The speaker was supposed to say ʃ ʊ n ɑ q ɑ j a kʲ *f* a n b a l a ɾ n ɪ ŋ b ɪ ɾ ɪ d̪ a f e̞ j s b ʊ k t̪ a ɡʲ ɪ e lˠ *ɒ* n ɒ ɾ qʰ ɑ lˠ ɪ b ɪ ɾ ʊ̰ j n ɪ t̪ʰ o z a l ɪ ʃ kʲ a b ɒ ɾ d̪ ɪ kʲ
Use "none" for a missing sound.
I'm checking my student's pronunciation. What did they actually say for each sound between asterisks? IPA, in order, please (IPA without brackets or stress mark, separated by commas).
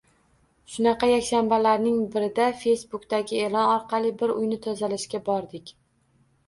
ʃ, ɒ